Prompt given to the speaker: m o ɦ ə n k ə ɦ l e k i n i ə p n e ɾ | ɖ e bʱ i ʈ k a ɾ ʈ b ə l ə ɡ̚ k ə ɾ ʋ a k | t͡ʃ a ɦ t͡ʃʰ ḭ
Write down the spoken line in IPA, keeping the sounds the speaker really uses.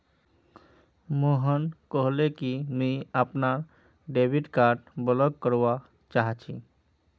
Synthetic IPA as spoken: m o ɦ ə n k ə ɦ l e k i m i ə p n a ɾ | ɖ e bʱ i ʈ k a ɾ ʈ b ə l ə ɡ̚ k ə ɾ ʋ a | t͡ʃ a ɦ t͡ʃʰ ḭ